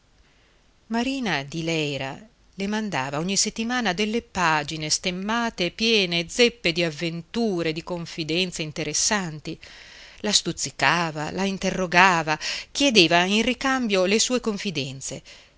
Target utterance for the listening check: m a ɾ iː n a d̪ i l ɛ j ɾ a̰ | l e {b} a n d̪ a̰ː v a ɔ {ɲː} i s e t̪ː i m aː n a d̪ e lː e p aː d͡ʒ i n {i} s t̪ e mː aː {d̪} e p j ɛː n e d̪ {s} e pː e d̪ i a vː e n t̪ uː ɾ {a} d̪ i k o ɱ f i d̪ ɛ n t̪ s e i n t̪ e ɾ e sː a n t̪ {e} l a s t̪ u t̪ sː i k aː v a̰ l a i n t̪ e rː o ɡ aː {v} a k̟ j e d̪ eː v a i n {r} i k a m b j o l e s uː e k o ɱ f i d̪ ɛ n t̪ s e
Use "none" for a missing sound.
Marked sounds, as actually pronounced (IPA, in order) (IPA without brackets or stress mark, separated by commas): m, ɲː, e, t̪, z, e, i, v, r